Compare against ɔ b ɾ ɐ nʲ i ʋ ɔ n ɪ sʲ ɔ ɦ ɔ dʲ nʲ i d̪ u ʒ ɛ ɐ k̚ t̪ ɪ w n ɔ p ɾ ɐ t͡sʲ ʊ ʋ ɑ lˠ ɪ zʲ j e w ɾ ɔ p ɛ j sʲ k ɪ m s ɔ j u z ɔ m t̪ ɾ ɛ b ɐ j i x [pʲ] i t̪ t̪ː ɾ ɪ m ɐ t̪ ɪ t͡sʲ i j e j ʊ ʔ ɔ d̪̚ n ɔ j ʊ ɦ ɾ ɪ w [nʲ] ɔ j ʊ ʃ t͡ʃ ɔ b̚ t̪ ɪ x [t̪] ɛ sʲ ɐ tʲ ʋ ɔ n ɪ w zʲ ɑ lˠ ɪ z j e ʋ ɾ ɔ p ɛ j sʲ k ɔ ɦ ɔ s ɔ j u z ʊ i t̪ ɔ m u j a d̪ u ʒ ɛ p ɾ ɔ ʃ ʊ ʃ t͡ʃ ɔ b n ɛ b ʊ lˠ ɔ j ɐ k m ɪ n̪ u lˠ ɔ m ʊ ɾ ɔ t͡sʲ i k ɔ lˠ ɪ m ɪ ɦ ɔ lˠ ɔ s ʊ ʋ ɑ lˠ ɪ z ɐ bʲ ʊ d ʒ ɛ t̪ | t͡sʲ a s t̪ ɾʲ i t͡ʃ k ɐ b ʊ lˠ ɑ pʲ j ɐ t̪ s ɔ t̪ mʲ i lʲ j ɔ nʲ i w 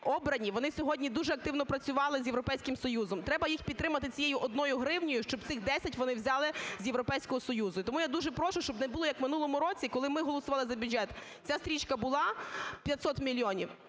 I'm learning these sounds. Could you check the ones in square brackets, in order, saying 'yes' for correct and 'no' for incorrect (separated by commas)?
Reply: yes, yes, no